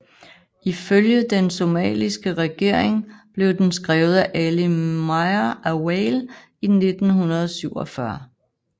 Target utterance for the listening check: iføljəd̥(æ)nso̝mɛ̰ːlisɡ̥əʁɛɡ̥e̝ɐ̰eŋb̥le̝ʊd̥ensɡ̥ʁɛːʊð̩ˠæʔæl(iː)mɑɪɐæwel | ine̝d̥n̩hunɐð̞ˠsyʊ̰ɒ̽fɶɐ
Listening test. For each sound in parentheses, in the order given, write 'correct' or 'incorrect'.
incorrect, incorrect

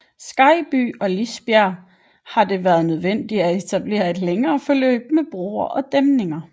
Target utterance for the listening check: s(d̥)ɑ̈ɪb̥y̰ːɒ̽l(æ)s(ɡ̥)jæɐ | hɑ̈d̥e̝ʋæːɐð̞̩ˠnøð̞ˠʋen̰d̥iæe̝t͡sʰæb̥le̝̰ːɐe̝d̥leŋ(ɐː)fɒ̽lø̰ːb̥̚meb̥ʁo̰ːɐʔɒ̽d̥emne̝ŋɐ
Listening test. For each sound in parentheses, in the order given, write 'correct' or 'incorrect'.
incorrect, incorrect, incorrect, correct

